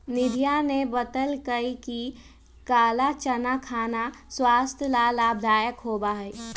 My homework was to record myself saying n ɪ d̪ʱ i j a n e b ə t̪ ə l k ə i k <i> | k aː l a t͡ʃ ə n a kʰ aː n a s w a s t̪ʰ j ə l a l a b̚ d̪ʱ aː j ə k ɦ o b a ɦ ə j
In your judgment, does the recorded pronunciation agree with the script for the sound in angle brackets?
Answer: yes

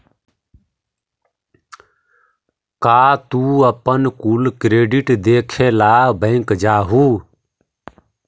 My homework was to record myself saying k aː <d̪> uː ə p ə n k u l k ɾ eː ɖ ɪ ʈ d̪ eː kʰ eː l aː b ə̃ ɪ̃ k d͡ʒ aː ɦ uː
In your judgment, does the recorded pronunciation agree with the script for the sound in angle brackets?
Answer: no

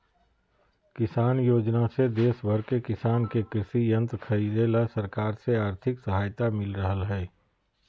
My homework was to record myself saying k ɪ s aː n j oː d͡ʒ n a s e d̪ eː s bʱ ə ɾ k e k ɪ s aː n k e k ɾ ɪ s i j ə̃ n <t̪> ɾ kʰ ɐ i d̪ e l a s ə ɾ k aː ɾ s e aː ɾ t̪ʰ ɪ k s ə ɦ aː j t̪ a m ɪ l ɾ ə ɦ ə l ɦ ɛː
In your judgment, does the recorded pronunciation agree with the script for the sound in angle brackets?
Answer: yes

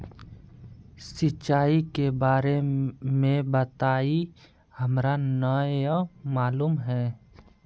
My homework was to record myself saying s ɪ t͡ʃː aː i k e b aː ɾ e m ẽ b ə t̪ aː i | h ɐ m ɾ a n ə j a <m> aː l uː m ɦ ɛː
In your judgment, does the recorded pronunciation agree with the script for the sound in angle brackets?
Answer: yes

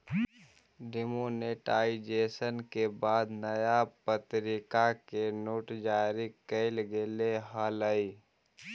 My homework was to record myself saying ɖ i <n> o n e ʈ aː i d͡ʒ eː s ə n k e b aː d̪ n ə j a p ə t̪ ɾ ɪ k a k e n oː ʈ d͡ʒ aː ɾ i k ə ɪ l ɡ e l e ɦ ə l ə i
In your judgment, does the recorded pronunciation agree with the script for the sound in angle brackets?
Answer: no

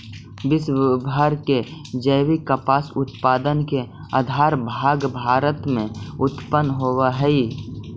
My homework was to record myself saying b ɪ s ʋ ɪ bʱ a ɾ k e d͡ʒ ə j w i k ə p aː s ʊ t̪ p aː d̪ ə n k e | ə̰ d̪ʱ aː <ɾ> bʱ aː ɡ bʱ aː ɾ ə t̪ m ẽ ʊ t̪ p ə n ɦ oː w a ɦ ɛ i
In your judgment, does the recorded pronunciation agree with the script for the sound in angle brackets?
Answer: yes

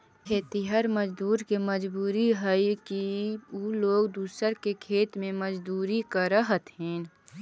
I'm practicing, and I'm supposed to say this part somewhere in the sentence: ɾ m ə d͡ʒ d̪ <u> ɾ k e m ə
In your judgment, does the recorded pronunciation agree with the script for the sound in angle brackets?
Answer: no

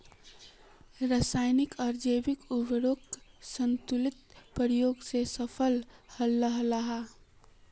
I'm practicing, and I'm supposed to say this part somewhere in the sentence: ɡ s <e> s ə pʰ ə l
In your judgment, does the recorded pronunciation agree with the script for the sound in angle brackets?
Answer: yes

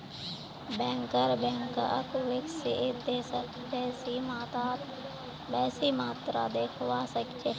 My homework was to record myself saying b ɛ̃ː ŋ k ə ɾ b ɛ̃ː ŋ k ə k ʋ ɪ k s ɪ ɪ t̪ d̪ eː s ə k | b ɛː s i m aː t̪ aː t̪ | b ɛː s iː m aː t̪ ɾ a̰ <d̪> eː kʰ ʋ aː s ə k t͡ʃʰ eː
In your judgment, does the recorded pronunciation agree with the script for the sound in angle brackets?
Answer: yes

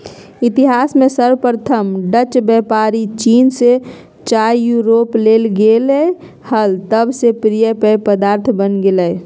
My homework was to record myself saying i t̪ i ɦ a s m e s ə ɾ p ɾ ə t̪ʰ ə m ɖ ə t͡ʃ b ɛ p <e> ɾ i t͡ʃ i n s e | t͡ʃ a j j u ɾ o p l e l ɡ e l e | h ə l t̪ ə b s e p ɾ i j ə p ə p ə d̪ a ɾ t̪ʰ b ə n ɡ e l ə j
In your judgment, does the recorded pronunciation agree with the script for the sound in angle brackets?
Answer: no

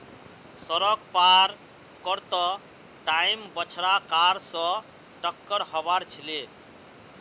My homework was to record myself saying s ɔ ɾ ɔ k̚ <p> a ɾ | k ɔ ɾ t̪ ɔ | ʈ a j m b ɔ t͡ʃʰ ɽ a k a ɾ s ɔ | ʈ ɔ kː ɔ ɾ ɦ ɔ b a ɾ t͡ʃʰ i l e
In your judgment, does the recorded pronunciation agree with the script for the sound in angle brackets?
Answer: yes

